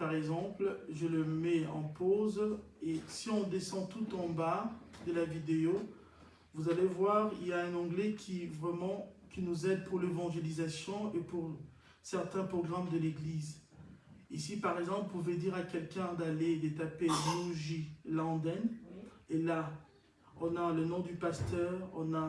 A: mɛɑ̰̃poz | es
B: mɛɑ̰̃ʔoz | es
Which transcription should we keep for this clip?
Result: A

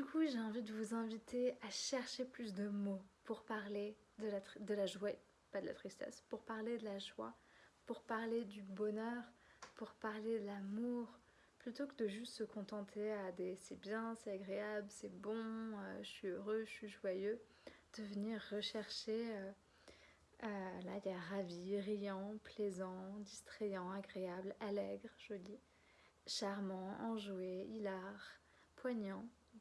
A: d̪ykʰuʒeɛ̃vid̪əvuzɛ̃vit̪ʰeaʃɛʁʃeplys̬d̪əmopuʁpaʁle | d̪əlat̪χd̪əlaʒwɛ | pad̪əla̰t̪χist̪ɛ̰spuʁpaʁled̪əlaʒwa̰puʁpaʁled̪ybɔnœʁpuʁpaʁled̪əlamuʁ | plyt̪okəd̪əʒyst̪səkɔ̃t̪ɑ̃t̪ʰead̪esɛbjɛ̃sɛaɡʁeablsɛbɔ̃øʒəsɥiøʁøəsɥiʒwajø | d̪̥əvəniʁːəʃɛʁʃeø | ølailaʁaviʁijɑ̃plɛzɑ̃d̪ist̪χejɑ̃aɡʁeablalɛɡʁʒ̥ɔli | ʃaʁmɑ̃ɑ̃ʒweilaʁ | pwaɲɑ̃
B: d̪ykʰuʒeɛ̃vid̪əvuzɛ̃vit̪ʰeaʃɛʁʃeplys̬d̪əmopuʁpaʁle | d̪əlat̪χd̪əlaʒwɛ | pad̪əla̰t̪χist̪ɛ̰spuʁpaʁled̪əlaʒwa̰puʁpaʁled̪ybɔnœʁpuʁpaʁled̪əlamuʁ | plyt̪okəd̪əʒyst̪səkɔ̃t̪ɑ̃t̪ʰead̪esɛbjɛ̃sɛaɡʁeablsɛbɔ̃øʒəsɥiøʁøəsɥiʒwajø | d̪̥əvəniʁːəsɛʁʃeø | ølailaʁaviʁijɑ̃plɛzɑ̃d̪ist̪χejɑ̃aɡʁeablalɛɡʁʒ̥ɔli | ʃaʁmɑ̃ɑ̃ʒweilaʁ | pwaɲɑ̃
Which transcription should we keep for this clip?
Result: A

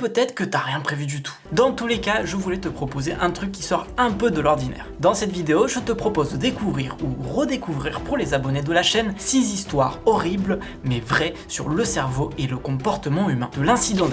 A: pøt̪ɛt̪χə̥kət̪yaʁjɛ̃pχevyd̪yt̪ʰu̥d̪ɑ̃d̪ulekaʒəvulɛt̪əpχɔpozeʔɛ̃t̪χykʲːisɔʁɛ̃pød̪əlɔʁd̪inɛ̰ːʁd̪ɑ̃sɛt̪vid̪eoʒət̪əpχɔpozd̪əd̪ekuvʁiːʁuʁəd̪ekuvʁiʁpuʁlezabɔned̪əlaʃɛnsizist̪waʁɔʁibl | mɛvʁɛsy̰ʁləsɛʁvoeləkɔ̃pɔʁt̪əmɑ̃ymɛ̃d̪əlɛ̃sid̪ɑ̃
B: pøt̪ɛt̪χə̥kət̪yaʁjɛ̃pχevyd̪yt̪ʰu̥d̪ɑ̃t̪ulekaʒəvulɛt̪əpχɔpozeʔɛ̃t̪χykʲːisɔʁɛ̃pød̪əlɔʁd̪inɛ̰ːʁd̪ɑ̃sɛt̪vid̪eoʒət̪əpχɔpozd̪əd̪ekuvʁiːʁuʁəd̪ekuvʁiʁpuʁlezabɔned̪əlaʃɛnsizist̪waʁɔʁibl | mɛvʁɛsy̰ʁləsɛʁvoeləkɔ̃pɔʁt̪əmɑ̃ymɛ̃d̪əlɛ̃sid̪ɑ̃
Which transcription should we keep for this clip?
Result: B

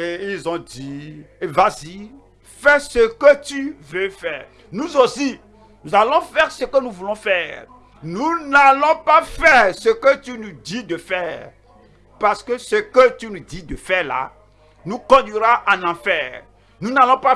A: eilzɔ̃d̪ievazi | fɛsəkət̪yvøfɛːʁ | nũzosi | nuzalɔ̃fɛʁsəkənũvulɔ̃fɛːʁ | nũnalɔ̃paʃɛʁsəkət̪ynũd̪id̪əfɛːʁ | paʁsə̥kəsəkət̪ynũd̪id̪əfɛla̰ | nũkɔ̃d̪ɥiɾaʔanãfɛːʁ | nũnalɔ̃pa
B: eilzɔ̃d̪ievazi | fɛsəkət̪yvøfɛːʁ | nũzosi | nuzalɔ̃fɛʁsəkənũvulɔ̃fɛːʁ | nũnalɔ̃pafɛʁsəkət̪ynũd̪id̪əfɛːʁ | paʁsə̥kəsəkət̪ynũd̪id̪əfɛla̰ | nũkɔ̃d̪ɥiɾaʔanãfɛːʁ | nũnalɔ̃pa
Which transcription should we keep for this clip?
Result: B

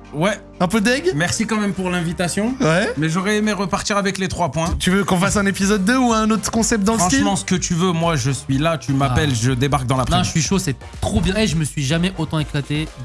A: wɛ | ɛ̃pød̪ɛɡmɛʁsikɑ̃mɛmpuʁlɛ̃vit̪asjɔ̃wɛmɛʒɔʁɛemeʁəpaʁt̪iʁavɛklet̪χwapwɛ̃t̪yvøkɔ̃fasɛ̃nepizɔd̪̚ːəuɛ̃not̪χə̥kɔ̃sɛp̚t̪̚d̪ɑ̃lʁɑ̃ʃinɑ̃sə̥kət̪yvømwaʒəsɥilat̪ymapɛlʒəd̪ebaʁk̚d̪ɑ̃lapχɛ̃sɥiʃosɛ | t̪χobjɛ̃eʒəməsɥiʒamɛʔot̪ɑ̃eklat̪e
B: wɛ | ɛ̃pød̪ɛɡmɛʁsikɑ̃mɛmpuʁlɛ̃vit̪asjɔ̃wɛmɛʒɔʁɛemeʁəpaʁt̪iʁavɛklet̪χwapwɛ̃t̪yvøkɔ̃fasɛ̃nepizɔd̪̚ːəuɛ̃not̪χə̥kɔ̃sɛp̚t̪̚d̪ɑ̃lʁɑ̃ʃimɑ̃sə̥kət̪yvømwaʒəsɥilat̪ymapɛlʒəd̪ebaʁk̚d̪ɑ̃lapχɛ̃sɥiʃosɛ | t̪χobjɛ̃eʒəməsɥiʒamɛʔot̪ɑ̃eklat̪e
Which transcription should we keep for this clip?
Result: B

